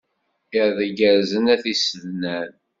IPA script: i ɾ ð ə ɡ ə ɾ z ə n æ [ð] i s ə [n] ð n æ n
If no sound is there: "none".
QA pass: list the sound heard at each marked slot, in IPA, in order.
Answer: θ, none

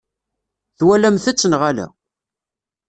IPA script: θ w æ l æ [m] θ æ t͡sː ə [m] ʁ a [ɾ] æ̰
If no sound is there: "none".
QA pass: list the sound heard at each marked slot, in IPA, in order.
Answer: m, n, l

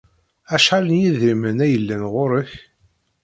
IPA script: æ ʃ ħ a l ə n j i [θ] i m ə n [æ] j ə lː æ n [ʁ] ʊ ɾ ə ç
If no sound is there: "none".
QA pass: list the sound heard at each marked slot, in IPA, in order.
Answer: ð, æ, ʁ

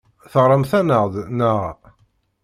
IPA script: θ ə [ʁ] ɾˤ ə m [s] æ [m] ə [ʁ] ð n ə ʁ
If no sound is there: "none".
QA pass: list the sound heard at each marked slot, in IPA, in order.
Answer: ʁ, θ, n, ʁ

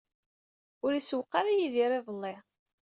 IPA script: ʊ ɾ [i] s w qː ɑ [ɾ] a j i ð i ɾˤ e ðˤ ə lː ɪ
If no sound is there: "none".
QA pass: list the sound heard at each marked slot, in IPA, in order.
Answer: i, ɾ

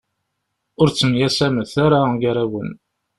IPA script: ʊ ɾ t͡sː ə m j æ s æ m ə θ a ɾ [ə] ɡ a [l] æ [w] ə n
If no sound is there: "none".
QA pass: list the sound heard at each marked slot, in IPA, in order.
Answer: a, ɾ, w

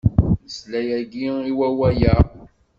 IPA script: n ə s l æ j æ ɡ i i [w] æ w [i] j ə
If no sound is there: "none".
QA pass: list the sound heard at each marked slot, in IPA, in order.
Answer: w, æ

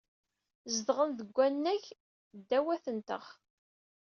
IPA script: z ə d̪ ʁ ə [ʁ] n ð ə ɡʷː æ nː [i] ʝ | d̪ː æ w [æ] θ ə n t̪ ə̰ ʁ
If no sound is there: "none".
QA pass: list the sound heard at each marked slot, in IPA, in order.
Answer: none, æ, æ

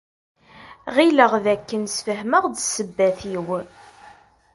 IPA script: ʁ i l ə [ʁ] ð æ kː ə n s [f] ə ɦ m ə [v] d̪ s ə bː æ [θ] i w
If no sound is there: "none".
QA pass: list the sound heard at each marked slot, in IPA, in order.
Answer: ʁ, f, ʁ, θ

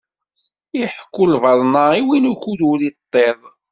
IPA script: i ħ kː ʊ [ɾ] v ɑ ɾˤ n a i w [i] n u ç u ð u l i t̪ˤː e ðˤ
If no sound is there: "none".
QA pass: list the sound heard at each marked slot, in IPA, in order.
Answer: l, i

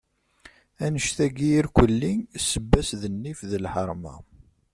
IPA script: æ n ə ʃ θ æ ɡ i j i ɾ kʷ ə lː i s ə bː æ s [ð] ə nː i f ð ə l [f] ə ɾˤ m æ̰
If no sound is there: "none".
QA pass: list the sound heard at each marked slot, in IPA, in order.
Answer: ð, ħ

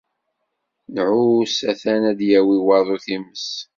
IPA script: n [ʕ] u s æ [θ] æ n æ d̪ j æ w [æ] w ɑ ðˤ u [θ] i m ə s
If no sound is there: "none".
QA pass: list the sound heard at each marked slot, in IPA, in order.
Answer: ʕ, θ, i, θ

